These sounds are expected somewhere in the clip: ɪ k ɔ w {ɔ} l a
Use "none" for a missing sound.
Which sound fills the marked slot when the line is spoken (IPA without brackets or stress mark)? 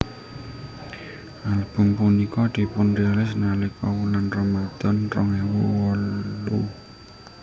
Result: u